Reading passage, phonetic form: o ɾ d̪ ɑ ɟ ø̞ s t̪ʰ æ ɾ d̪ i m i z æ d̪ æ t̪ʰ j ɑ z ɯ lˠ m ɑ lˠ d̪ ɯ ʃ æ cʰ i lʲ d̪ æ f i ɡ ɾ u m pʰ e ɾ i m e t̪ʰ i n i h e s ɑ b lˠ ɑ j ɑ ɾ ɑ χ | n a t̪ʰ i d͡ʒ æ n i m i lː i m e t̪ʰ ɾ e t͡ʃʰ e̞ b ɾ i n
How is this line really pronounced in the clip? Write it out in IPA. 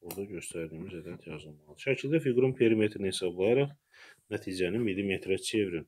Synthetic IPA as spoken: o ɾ d̪ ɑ ɟ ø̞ s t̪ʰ æ ɾ d̪ i m i z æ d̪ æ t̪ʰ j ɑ z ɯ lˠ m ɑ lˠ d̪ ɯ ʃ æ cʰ i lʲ d̪ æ f i ɡ ɾ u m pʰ e ɾ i m e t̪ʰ i n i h e s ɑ b lˠ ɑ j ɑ ɾ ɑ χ | n æ t̪ʰ i d͡ʒ æ n i m i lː i m e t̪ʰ ɾ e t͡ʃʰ e̞ v ɾ i n